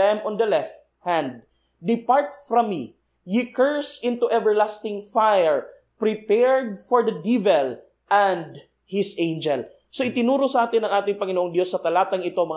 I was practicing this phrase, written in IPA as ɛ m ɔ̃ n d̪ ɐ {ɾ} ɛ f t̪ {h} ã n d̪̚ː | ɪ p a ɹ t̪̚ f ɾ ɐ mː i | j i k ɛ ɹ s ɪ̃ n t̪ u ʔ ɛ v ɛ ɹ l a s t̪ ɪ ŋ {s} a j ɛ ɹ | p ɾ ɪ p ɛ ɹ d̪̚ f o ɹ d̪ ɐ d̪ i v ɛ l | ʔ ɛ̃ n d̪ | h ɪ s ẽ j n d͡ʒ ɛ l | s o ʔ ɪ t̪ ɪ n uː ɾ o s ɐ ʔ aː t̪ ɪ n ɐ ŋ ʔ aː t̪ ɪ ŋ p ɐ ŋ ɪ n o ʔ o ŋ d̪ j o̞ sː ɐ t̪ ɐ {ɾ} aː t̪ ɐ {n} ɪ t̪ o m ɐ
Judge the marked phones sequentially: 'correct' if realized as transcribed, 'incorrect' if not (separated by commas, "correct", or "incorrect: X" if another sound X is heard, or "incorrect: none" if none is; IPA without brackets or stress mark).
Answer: incorrect: l, correct, incorrect: f, incorrect: l, incorrect: ŋ